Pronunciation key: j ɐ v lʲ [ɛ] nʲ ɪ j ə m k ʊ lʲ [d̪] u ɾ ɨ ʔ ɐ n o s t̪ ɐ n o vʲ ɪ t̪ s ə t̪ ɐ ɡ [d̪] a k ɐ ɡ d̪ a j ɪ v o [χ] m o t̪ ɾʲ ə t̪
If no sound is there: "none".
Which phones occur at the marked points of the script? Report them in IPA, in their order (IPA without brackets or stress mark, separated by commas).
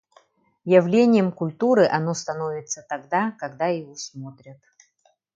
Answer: e, t̪, d̪, s